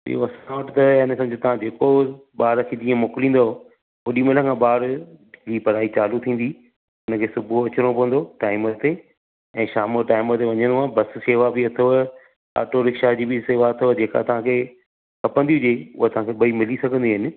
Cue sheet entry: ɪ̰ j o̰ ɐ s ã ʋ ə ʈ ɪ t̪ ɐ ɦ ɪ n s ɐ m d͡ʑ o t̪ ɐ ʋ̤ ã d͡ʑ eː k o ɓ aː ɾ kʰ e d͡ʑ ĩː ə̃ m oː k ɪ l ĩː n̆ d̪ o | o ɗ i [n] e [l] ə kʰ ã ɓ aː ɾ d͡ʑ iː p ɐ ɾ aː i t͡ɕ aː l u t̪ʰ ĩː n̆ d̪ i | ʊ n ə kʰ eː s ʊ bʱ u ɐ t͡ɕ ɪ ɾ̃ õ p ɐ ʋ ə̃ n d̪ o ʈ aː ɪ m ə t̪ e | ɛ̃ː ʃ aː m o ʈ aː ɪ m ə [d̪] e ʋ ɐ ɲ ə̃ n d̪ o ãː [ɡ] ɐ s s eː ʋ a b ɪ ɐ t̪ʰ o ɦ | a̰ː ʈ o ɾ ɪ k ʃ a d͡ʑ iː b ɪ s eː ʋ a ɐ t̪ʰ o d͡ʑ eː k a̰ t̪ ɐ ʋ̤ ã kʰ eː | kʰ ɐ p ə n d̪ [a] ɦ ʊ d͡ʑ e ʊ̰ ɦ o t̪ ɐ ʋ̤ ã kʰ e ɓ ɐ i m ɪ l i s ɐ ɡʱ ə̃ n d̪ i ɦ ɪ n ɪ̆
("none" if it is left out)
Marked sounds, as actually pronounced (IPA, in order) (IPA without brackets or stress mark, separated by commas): m, l, t̪, b, i